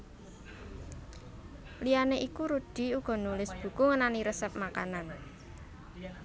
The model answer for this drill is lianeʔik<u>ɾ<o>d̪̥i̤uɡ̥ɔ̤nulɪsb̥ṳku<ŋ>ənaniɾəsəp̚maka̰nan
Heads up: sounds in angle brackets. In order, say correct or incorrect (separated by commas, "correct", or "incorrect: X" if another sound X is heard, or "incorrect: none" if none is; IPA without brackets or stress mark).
correct, incorrect: u, correct